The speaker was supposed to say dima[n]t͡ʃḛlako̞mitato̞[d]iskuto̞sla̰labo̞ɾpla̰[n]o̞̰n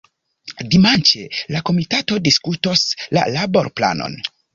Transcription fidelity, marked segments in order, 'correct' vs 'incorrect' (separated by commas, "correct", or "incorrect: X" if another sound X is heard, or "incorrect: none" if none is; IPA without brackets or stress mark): correct, correct, correct